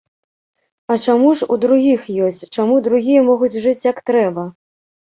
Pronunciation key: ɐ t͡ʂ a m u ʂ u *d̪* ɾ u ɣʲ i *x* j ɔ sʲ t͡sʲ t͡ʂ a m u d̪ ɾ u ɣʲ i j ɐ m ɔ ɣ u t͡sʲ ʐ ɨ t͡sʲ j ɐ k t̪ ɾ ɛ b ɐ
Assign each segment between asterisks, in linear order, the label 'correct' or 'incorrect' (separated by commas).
correct, correct